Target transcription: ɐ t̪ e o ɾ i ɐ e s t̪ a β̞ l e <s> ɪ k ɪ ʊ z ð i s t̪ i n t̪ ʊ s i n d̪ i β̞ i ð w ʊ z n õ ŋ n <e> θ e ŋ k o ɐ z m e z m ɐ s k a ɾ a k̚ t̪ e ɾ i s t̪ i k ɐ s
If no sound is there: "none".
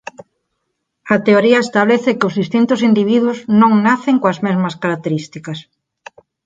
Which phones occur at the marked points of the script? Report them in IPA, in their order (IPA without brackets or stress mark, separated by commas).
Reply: θ, a